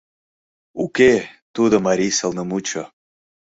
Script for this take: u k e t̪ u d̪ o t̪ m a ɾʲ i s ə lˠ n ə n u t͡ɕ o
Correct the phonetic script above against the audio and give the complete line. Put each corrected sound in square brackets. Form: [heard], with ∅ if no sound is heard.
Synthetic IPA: u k e t̪ u d̪ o [∅] m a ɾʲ i s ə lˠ n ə [m] u t͡ɕ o

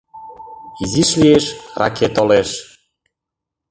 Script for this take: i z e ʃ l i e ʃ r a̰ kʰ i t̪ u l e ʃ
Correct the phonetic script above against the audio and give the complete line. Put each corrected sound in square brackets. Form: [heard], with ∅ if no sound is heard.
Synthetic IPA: i z [i] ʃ l i e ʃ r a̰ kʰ [e] t̪ [o] l e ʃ

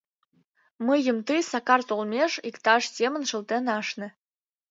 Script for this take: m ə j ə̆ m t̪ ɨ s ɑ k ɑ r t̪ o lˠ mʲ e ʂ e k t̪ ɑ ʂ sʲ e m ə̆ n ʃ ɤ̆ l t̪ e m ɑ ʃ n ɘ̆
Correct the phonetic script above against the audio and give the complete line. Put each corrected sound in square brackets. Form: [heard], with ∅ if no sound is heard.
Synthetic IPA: m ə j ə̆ m t̪ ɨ s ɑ k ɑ r t̪ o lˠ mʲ e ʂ [i] k t̪ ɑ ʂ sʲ e m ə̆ n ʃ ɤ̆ l t̪ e [n] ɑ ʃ n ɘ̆

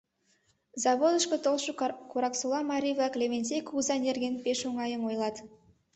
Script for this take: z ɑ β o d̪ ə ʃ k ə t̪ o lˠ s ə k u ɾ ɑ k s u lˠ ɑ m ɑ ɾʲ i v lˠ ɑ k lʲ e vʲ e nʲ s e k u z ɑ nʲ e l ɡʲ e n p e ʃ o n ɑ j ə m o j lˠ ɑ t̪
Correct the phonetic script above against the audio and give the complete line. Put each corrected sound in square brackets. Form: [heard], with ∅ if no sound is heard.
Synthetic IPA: z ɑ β o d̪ ə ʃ k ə t̪ o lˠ [ʃ] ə k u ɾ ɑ k s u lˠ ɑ m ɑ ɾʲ i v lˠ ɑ k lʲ e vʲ e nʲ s e k u z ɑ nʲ e [r] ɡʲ e n p e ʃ o [ŋ] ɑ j ə m o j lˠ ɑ t̪

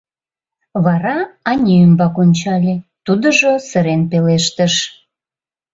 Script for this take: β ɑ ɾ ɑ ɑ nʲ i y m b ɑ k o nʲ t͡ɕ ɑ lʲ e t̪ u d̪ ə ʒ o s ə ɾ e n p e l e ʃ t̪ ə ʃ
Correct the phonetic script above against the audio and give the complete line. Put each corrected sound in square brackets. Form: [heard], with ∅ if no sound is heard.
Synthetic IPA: β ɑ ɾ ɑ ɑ nʲ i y m b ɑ k o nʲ t͡ɕ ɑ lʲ e t̪ u d̪ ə ʒ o s ə ɾ e n p e l e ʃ t̪ ə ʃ

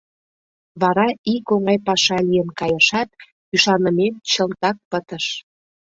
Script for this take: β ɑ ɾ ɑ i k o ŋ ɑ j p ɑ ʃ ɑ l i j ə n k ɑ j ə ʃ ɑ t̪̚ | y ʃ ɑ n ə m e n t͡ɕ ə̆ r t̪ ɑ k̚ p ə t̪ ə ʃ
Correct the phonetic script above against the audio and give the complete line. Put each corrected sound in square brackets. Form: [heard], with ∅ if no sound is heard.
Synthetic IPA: β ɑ ɾ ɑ i k o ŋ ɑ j p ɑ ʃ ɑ l i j ə n k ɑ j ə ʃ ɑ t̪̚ | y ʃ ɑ n ə m e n t͡ɕ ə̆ [l] t̪ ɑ k̚ p ə t̪ ə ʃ

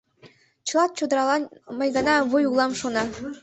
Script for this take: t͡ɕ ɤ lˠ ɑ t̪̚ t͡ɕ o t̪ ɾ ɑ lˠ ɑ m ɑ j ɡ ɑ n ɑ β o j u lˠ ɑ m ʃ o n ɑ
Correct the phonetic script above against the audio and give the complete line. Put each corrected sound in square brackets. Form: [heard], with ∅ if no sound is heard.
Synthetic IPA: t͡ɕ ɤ lˠ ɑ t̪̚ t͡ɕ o [d̪] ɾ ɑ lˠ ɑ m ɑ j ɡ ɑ n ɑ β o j u lˠ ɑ m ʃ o n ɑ

